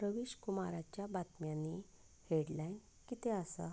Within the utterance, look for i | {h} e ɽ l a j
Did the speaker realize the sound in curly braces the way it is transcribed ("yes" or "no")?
yes